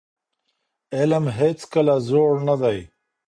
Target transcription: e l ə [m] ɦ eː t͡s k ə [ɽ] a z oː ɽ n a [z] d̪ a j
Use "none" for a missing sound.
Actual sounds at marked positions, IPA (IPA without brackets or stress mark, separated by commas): m, l, none